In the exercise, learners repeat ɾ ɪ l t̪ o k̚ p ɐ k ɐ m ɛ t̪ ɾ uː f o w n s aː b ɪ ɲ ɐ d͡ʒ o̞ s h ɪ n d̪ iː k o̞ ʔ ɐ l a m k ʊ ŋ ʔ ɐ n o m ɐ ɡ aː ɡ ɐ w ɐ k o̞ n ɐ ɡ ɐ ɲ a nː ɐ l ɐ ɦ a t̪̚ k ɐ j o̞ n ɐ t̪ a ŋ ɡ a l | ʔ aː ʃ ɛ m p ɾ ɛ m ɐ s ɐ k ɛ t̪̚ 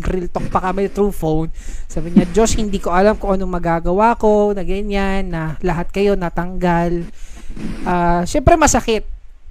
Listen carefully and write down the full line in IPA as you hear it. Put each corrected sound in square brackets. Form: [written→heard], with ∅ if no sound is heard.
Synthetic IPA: ɾ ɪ l t̪ o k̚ p ɐ k ɐ m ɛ t̪ ɾ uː f o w n s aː b ɪ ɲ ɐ d͡ʒ o̞ s h ɪ n d̪ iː k o̞ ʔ ɐ l a m k ʊ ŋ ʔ ɐ n o m ɐ ɡ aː ɡ ɐ w [ɐ→a] k o̞ n ɐ ɡ ɐ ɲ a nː ɐ l ɐ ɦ a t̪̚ k ɐ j o̞ n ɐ t̪ [a→ɐ] ŋ ɡ a l | ʔ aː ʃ ɛ m p ɾ ɛ m ɐ s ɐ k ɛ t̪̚